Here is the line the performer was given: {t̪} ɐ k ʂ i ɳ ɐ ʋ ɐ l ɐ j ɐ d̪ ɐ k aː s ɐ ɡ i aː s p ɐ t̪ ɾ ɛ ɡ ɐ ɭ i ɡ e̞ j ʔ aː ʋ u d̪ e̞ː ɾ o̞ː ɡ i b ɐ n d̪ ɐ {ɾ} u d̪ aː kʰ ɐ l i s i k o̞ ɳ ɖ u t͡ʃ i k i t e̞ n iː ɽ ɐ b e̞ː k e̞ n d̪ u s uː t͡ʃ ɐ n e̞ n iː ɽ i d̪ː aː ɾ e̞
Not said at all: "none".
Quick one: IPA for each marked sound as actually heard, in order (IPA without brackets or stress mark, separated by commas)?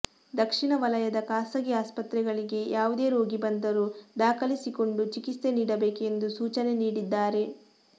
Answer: d̪, ɾ